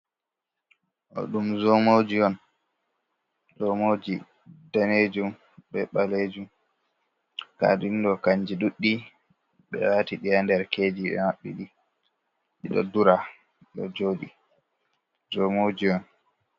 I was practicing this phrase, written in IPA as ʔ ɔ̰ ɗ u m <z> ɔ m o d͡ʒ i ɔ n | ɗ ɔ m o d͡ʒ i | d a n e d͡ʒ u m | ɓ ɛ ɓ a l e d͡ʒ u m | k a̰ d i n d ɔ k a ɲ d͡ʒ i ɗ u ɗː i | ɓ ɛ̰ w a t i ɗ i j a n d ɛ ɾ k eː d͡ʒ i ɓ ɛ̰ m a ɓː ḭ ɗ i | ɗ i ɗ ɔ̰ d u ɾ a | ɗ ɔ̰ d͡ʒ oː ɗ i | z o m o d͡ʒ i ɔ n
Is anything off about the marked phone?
no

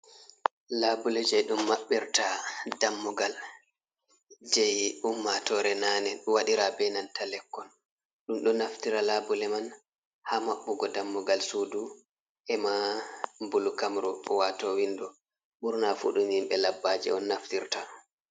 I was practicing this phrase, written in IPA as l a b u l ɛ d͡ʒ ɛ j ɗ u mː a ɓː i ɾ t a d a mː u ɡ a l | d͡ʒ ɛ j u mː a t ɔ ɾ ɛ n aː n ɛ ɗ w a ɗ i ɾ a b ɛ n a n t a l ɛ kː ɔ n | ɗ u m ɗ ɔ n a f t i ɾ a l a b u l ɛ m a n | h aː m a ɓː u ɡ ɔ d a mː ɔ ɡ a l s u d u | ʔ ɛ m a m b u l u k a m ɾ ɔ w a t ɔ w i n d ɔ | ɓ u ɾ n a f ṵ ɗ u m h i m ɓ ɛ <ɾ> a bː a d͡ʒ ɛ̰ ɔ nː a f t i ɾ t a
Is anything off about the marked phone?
yes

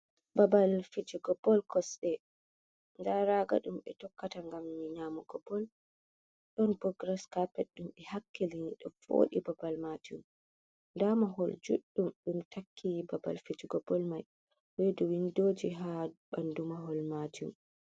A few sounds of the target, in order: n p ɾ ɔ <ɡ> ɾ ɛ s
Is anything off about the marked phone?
no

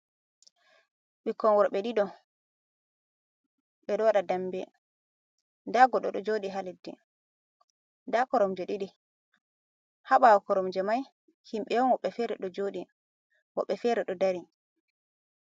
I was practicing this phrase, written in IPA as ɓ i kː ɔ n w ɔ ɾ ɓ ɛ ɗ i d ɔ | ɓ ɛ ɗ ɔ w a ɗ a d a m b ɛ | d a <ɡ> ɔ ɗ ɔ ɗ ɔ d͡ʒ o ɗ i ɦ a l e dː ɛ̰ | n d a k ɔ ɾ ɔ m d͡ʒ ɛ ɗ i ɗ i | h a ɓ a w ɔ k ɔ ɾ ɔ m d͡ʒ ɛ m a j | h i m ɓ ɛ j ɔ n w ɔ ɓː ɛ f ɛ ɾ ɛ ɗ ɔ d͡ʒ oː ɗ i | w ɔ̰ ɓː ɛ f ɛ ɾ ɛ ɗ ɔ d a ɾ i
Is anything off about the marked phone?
no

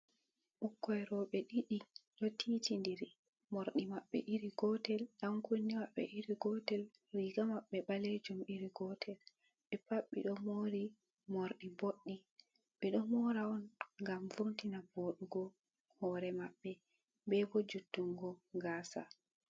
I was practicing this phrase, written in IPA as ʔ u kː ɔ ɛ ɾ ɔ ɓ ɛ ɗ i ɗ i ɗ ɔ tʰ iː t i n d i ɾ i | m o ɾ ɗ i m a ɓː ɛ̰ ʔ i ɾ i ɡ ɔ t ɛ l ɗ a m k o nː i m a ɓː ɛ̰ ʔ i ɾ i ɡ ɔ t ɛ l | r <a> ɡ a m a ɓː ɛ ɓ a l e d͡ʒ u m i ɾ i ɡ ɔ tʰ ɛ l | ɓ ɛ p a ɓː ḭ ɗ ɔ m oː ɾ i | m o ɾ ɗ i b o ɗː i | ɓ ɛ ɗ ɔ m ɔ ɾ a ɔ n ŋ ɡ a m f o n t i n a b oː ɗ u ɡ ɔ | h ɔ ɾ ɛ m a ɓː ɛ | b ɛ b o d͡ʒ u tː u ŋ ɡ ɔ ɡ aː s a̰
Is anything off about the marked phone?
yes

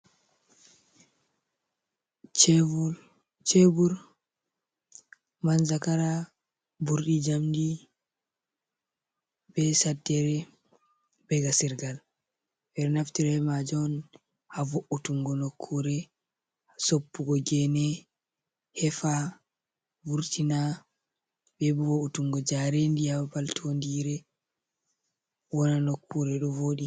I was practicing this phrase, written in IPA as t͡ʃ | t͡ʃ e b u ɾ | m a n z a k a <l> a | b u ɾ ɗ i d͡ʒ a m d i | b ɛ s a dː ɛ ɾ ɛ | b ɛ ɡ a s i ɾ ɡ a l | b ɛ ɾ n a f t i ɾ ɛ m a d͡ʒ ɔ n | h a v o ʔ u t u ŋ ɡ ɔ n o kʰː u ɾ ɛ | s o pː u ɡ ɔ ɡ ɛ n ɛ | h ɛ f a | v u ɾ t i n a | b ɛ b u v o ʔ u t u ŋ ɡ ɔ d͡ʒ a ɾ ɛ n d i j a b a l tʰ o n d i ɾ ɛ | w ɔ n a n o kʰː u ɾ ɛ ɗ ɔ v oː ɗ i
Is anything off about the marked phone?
yes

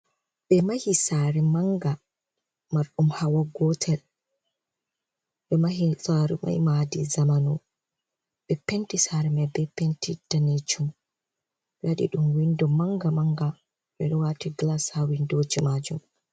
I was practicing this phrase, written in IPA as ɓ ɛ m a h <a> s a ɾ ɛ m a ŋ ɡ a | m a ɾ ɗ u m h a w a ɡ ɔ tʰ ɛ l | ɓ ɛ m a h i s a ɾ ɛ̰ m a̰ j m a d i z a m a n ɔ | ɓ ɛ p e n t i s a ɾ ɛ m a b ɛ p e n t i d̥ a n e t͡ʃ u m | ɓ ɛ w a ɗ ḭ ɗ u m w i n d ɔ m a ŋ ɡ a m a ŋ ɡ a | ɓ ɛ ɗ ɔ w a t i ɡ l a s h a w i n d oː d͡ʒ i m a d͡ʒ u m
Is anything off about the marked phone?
yes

